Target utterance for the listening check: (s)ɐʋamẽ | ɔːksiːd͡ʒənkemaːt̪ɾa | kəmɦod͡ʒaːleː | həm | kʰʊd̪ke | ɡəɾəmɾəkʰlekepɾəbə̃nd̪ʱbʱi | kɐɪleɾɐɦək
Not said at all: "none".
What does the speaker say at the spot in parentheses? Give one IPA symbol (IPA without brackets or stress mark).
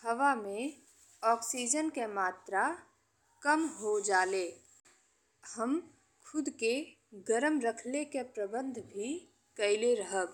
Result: h